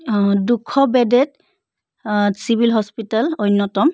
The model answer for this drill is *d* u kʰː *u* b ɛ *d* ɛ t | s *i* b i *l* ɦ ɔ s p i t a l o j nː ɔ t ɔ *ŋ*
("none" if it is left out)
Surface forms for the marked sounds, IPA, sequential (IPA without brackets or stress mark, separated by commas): d, ɔ, d, i, l, m